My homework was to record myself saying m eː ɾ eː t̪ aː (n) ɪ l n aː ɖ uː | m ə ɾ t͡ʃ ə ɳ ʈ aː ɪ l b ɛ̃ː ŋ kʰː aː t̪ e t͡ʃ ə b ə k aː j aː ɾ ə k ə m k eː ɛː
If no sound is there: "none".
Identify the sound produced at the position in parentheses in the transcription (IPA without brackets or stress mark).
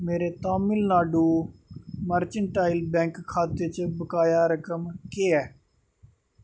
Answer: m